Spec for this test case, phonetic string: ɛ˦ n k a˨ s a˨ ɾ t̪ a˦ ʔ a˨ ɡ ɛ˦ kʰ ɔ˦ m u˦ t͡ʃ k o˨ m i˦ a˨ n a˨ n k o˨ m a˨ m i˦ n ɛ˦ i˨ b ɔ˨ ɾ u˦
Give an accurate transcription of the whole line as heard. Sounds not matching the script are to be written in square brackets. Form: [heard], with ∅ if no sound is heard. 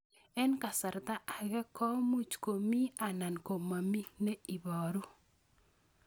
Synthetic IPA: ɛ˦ n k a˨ s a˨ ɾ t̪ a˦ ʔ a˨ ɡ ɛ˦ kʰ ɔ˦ m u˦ t͡ʃ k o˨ m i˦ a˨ n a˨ n k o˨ m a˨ m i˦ n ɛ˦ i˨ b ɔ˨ ɾ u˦